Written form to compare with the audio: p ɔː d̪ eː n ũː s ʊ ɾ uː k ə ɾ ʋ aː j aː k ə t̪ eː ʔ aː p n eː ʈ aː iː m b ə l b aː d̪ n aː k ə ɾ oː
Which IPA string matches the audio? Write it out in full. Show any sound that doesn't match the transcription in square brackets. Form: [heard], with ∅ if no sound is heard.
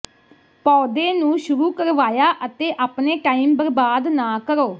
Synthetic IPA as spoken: p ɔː d̪ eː n ũː [ʃ] ʊ ɾ uː k ə ɾ ʋ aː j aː [ʔ] ə t̪ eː ʔ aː p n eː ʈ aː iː m b ə [ɾ] b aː d̪ n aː k ə ɾ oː